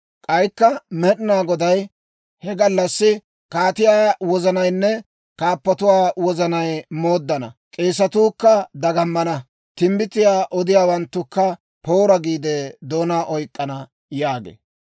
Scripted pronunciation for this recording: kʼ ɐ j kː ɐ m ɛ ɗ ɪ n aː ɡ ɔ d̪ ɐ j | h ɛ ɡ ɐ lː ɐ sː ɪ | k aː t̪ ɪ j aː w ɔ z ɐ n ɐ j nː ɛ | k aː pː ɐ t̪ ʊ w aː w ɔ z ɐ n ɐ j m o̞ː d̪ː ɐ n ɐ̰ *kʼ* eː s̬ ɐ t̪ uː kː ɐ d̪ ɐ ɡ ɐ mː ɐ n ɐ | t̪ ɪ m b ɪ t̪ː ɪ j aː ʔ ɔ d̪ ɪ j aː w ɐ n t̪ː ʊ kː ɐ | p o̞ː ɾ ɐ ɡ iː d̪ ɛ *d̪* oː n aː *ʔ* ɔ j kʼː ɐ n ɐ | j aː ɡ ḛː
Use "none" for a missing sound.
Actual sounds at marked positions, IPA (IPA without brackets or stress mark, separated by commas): kʼ, d̪, ʔ